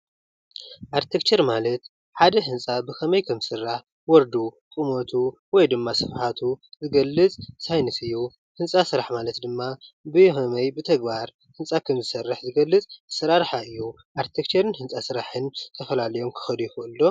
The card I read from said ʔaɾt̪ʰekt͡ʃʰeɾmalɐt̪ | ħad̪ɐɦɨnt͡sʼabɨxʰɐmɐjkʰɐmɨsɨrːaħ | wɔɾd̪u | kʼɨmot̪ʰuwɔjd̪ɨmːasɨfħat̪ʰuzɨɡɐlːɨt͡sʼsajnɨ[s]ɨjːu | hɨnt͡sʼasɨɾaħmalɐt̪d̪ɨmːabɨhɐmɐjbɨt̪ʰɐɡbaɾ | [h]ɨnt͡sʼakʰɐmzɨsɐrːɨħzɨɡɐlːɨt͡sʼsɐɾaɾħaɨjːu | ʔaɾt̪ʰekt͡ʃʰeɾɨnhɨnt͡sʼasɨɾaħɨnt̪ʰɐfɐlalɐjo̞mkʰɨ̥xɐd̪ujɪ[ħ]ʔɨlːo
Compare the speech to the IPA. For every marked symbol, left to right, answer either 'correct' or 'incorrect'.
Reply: correct, correct, incorrect: x

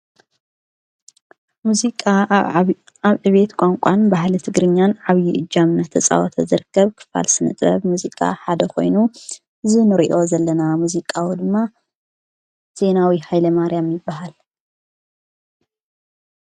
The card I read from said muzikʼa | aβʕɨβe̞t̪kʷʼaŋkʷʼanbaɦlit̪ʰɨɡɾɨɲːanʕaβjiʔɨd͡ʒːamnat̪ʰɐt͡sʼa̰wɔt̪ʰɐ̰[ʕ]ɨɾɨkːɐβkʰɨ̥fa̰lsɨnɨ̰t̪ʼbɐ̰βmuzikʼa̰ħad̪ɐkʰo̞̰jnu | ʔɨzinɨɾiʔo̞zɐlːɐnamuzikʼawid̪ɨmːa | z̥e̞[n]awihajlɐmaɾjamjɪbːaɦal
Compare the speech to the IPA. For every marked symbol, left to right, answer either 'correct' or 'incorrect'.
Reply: incorrect: z, correct

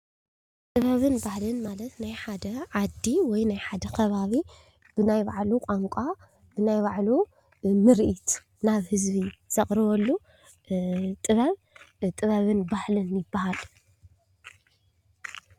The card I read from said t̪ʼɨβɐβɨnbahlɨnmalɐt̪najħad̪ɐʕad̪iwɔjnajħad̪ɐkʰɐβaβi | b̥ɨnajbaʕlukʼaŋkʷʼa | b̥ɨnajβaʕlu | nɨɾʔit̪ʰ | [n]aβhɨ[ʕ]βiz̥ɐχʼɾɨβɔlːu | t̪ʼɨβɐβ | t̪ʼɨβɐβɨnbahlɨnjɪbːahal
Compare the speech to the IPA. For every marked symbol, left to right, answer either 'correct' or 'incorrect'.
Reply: correct, incorrect: z

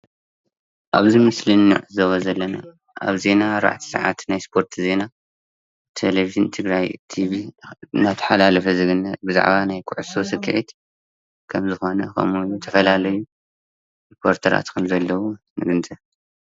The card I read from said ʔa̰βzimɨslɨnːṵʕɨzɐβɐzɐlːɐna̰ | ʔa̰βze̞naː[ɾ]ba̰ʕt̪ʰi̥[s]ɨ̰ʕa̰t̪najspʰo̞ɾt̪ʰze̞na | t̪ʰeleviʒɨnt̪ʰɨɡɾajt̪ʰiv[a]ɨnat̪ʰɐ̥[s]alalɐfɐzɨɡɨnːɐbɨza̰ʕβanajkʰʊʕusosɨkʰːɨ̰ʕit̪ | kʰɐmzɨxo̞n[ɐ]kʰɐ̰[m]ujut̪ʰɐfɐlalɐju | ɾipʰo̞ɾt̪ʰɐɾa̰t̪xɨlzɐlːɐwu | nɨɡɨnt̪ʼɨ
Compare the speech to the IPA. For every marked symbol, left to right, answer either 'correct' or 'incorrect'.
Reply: correct, correct, incorrect: i, incorrect: ħ, correct, correct

